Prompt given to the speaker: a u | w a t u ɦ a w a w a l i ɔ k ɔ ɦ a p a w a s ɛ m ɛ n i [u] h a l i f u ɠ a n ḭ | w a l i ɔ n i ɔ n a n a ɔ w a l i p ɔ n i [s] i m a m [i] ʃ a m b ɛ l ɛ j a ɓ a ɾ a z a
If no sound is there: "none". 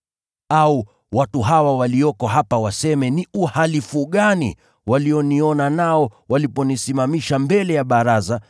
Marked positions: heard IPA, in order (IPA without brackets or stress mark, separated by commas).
u, s, i